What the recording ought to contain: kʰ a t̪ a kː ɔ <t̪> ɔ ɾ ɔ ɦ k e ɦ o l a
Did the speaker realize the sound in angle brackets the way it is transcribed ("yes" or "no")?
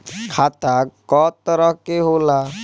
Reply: yes